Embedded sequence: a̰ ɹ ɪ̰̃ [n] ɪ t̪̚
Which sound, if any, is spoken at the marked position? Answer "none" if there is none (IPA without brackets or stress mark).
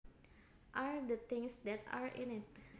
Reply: n